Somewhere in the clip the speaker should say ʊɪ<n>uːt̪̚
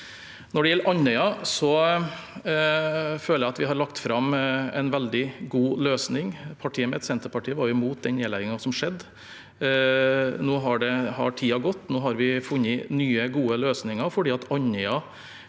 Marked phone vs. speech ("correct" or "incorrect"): incorrect